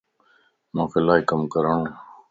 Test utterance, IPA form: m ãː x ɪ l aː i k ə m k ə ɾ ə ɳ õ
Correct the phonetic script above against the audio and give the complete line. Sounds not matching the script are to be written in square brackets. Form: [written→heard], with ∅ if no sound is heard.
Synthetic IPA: m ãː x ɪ l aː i k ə m k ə ɾ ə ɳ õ